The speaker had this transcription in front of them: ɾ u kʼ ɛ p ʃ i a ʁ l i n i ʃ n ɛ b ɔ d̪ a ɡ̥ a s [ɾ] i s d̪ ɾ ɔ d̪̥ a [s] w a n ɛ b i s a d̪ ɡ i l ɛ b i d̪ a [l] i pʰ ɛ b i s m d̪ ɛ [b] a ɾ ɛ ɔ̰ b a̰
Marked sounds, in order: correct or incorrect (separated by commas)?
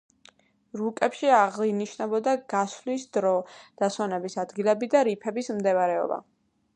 incorrect, correct, incorrect, incorrect